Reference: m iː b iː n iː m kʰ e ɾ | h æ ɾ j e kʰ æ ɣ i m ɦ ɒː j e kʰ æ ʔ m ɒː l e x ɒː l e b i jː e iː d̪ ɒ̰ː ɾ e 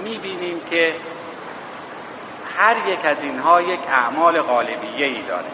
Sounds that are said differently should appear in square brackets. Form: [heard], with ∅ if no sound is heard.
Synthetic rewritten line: m iː b iː n iː m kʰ e [∅] | h æ ɾ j e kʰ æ [z] i [n] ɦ ɒː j e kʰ æ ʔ m ɒː l e [ɣ] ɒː l e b i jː e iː d̪ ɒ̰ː ɾ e